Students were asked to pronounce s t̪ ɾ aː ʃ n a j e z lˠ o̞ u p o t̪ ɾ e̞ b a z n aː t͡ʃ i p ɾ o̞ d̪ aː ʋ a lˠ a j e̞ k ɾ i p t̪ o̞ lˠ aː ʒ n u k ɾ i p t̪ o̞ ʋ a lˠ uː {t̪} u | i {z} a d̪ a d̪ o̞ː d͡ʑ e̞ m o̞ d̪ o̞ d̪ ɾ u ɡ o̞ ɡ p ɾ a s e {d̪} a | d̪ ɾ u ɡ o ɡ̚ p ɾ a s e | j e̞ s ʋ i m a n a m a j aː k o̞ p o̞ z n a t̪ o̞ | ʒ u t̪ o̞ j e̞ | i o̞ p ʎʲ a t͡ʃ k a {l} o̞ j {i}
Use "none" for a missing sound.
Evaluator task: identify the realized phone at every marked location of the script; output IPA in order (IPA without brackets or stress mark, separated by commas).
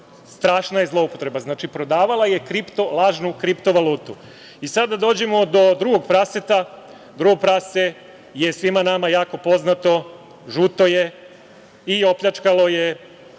t̪, s, t̪, l, e